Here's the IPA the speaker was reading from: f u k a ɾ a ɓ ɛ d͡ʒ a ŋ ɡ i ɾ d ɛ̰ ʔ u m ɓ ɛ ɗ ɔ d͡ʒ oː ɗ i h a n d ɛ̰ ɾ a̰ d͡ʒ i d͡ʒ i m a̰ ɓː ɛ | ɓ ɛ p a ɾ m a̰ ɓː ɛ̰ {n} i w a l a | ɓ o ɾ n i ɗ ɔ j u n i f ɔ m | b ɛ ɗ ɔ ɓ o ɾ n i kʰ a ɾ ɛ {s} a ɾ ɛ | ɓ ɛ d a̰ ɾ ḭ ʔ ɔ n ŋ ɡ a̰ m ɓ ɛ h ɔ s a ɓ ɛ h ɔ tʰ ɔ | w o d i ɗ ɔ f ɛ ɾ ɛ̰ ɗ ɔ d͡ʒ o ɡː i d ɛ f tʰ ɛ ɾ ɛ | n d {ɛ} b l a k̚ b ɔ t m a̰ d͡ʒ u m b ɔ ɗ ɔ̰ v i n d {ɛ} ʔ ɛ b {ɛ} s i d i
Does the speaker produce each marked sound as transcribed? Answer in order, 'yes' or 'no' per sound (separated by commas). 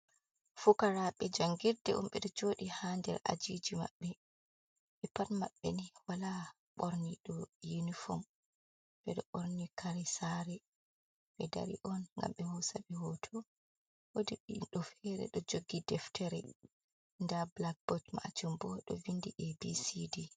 yes, yes, no, no, no